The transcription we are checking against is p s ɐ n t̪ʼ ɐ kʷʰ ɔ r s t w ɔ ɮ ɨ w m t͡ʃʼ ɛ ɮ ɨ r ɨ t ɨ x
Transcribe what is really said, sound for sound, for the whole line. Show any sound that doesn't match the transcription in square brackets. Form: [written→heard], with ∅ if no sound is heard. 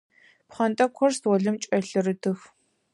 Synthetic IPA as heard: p [s→χ] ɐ n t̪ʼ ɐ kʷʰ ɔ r s t w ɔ ɮ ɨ [w→∅] m t͡ʃʼ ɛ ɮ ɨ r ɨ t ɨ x

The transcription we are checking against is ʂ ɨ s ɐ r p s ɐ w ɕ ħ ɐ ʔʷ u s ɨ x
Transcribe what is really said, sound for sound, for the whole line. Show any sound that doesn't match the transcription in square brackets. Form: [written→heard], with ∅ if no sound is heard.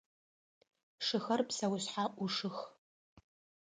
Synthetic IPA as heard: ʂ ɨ [s→x] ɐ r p s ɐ w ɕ ħ [ɐ→a] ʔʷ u [s→ʂ] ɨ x

